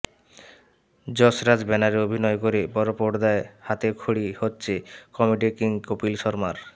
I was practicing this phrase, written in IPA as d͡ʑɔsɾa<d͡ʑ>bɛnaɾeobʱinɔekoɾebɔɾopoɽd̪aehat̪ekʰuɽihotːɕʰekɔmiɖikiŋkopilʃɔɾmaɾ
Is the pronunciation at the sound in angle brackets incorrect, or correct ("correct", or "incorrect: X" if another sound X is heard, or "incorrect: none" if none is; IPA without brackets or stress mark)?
correct